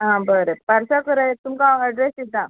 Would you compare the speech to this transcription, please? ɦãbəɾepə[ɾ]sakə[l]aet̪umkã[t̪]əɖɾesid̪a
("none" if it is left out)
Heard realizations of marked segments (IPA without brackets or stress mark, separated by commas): ɾ, ɾ, none